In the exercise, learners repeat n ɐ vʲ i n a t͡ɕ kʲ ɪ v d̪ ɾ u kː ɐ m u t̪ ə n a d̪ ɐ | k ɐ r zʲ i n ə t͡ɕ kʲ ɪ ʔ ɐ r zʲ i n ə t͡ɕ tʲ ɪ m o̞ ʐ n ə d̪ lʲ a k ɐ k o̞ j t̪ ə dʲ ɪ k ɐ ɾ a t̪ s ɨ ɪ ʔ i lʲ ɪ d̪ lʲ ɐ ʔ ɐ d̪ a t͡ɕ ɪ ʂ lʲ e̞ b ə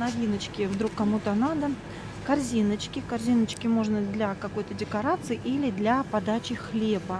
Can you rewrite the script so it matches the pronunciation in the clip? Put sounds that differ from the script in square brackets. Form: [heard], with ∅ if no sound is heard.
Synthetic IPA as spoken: n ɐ vʲ i n [ə] t͡ɕ kʲ ɪ v d̪ ɾ u kː ɐ m u t̪ ə n a d̪ [ə] | k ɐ r zʲ i n ə t͡ɕ kʲ ɪ [k] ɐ r zʲ i n ə t͡ɕ [kʲ] ɪ m o̞ ʐ n ə d̪ lʲ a k ɐ k o̞ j t̪ ə dʲ ɪ k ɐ ɾ a t̪ s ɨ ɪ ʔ i lʲ ɪ d̪ lʲ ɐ [p] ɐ d̪ a t͡ɕ ɪ [x] lʲ e̞ b ə